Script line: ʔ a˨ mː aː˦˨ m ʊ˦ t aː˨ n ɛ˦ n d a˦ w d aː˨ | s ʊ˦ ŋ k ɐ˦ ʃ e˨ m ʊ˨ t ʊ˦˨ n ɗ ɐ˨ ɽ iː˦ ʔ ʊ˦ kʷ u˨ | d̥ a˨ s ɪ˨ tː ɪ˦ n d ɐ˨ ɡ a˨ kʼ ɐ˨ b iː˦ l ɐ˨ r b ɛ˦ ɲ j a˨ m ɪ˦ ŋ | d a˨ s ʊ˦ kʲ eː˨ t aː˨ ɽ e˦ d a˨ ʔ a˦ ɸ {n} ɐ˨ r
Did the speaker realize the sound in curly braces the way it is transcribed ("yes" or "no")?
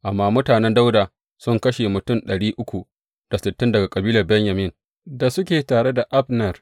yes